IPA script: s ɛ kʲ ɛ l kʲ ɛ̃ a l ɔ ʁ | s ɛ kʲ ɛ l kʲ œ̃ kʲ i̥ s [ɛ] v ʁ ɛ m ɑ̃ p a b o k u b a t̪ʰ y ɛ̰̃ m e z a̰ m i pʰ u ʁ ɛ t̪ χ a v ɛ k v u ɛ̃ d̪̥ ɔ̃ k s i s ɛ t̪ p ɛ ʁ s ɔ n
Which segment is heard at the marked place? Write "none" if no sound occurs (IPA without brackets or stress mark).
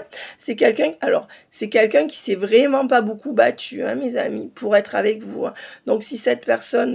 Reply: ɛ